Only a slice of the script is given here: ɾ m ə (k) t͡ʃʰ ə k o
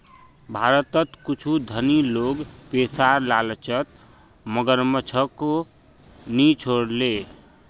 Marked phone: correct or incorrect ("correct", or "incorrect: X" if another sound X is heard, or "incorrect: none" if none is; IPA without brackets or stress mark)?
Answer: incorrect: none